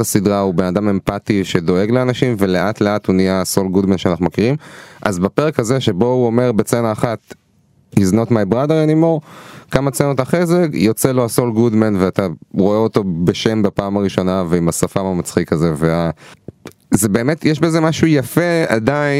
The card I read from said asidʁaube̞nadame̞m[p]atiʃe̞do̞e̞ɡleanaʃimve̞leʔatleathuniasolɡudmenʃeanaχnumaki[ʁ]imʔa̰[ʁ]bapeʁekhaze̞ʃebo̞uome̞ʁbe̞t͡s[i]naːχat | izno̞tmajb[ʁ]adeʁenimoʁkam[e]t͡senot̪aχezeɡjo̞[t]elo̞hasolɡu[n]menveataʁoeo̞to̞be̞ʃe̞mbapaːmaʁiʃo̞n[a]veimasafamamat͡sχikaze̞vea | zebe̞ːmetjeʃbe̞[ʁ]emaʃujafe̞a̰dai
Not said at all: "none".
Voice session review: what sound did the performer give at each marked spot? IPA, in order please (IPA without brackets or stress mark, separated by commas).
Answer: p, ʁ, z, e, ʁ, a, t͡s, d, a, z